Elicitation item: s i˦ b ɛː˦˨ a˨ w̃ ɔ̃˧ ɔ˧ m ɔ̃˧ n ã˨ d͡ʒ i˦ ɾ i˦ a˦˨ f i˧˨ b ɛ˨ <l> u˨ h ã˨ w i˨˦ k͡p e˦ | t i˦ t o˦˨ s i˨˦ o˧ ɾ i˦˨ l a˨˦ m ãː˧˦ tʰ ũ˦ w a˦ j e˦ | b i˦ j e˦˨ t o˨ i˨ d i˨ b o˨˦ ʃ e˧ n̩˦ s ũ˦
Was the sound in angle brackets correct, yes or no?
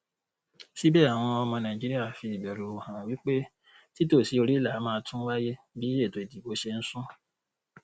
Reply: no